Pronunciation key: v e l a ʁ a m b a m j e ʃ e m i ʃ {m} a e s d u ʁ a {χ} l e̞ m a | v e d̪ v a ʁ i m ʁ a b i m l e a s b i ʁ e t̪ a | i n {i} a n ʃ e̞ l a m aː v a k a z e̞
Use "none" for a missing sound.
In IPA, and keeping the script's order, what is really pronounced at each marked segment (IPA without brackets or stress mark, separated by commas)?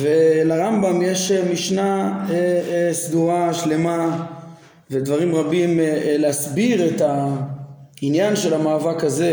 n, ʃ, j